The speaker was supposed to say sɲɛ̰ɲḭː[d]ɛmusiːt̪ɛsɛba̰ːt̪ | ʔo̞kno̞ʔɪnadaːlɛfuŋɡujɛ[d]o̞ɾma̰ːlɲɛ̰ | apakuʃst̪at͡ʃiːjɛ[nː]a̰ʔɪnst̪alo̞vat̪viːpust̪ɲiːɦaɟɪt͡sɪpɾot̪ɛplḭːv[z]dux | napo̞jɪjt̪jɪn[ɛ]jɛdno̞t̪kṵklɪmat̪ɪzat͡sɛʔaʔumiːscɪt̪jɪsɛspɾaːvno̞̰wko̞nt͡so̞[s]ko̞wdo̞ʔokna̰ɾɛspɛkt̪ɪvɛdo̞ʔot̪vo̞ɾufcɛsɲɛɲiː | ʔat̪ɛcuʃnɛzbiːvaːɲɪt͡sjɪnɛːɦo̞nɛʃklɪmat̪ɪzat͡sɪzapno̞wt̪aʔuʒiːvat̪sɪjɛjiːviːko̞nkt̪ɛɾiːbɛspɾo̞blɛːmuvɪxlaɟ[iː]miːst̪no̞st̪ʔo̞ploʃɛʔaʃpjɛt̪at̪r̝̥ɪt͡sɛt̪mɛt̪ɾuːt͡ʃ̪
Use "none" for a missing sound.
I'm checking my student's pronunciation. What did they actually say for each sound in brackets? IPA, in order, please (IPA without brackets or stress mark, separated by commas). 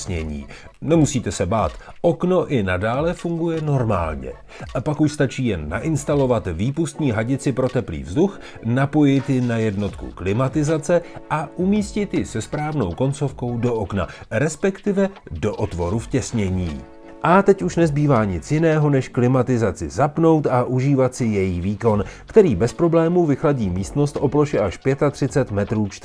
n, n, nː, z, a, f, iː